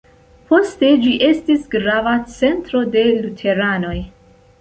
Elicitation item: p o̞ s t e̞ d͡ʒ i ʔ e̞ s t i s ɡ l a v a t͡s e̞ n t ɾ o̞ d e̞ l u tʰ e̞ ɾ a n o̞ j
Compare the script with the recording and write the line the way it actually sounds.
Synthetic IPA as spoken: p o̞ s t e̞ d͡ʒ i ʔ e̞ s t i s ɡ ɾ a v a t͡s e̞ n t ɾ o̞ d e̞ l u tʰ e̞ ɾ a n o̞ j

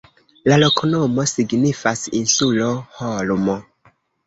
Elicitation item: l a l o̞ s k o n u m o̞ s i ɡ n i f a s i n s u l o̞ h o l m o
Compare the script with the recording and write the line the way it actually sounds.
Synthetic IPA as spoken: l a l o̞ k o n o m o̞ s i ɡ n i f a s i n s u l o̞ h o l m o

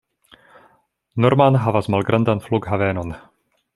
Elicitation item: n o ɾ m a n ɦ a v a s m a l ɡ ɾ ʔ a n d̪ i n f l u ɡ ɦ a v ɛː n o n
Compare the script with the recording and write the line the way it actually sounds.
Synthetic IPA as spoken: n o ɾ m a n ɦ a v a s m a l ɡ ɾ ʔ a n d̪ a n f l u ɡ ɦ a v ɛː n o n

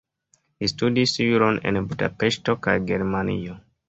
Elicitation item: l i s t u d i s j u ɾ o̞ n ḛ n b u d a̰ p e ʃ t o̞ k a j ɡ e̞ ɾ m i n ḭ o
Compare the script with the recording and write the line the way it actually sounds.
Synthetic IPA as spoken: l i s t u d i s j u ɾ o̞ n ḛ n b u d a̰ p e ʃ t o̞ k a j ɡ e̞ ɾ m a n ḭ o

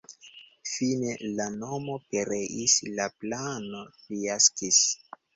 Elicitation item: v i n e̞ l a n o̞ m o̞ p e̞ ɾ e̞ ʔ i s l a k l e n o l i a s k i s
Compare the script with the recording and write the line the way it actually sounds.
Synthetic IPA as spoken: f i n e̞ l a n o̞ m o̞ p e̞ ɾ e̞ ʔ i s l a p l a n o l i a s k i s

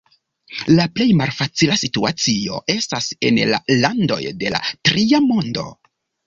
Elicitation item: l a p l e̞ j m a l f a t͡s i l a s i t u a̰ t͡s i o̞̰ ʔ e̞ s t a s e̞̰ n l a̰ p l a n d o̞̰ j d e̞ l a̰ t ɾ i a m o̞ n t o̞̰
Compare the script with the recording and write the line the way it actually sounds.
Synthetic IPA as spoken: l a p l e̞ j m a l f a t͡s i l a s i t u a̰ t͡s i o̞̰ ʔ e̞ s t a s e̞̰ n l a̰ l a n d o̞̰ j d e̞ l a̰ t ɾ i a m o̞ n d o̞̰

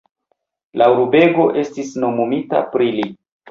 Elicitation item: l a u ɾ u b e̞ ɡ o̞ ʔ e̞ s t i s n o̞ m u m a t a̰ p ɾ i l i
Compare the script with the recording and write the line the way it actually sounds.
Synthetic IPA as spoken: l a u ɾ u b e̞ ɡ o̞ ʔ e̞ s t i s n o̞ m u m i t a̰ p ɾ i l i

